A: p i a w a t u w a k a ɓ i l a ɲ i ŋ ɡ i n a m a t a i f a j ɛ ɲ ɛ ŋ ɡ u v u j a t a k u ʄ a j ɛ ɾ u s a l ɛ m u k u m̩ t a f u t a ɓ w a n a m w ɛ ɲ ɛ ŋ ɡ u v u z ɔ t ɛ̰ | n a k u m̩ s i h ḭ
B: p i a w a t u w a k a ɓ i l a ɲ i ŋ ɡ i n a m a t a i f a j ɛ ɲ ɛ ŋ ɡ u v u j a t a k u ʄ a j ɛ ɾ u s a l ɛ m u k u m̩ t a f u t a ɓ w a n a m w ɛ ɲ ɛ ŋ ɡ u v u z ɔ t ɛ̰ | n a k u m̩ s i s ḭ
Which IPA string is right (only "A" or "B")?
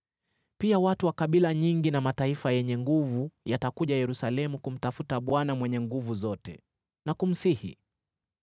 A